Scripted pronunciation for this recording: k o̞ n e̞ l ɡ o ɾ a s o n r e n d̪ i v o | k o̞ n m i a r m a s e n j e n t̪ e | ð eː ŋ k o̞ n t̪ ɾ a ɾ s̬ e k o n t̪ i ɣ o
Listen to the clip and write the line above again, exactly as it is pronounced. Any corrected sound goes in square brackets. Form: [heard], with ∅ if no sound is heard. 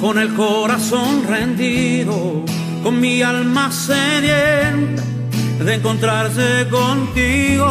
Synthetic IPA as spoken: k o̞ n e̞ l [k] o ɾ a s o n r e n d̪ i [ð] o | k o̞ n m i a [l] m a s e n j e n t̪ e | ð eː ŋ k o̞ n t̪ ɾ a ɾ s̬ e k o n t̪ i ɣ o